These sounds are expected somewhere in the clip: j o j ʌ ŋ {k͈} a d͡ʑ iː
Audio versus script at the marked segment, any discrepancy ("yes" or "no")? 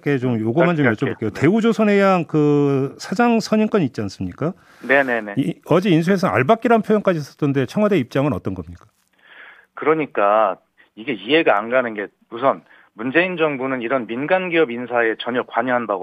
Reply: no